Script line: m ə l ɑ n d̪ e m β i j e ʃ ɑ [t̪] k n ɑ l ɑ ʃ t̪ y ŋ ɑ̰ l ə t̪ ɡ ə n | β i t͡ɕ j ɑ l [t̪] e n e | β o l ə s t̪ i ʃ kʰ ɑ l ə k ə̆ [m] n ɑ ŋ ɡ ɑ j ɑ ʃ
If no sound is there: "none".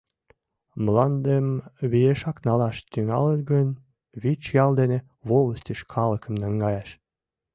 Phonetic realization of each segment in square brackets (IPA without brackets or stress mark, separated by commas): none, d̪, m